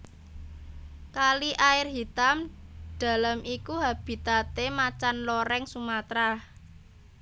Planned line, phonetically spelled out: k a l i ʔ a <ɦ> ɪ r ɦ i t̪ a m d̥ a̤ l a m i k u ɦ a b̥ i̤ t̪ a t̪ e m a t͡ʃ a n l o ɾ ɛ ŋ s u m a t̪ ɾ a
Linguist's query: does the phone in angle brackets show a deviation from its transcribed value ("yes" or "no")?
yes